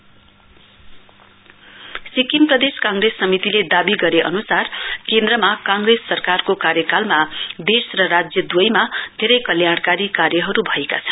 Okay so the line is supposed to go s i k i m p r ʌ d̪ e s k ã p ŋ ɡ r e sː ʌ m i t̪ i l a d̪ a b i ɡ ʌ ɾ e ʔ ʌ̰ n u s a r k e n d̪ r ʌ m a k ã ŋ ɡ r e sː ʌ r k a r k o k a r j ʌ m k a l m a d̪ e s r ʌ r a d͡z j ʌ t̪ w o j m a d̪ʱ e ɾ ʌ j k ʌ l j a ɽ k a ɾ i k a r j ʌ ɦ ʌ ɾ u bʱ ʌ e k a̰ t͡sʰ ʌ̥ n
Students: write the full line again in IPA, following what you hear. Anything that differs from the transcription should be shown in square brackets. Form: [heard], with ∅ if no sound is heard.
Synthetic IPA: s i k i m p r ʌ d̪ e s k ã [∅] ŋ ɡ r e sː ʌ m i t̪ i l [e] d̪ a b i ɡ ʌ ɾ e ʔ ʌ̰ n u s a r k e n d̪ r ʌ m a k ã ŋ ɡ r e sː ʌ r k a r k o k a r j ʌ [∅] k a l m a d̪ e s r ʌ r a d͡z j ʌ [d̪] w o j m a d̪ʱ e ɾ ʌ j k ʌ l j a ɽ k a ɾ i k a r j ʌ ɦ ʌ ɾ u bʱ ʌ e k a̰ t͡sʰ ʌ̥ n